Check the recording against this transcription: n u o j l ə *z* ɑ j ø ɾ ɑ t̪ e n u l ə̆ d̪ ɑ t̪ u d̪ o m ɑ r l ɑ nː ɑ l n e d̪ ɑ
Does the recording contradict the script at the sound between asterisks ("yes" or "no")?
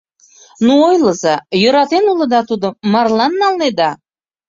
no